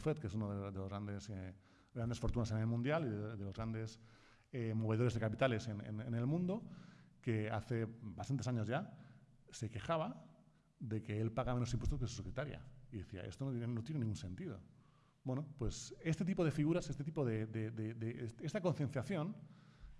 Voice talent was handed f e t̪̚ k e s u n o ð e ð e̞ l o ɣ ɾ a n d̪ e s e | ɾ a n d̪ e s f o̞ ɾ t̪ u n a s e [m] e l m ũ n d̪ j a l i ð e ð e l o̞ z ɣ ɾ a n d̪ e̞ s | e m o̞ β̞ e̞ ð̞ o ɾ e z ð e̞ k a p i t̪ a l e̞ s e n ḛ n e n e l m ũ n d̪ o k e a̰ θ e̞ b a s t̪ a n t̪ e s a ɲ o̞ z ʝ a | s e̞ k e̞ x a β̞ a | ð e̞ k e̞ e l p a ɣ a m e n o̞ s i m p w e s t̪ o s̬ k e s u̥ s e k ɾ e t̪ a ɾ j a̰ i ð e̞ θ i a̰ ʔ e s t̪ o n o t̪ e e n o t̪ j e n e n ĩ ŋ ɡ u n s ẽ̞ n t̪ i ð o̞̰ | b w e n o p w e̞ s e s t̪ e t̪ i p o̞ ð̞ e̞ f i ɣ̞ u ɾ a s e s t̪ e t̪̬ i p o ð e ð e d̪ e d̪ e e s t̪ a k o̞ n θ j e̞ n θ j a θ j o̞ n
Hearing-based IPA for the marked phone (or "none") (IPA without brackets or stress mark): n